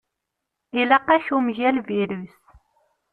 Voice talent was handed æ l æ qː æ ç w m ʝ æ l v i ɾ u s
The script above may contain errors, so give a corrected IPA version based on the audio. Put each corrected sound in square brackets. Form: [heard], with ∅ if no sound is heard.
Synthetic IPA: [i] l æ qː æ ç [u] m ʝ æ l v i ɾ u s